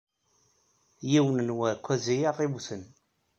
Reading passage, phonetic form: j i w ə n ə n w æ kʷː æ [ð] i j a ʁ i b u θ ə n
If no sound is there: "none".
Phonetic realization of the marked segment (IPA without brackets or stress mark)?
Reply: z